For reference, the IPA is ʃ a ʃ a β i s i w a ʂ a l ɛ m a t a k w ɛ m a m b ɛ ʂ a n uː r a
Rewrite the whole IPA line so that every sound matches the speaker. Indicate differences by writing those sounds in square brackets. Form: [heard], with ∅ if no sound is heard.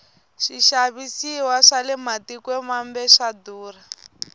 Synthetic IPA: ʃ [i] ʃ a β i s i w a ʂ a l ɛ m a t [i] k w ɛ m a m b ɛ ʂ a [d] uː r a